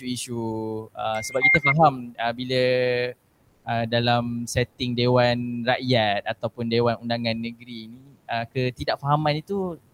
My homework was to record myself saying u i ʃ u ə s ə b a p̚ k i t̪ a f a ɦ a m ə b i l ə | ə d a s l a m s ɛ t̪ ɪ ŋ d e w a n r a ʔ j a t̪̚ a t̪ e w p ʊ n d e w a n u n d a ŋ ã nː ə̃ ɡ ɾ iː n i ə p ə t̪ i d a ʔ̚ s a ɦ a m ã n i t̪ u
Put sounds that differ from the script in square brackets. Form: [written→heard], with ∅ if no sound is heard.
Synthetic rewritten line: u i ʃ u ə s ə b a p̚ k i t̪ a f a ɦ a m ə b i l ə | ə d a [s→∅] l a m s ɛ t̪ ɪ ŋ d e w a n r a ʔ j a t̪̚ a t̪ [e→a] w p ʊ n d e w a n u n d a ŋ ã nː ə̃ ɡ ɾ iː n i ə [p→k] ə t̪ i d a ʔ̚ [s→f] a ɦ a m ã n i t̪ u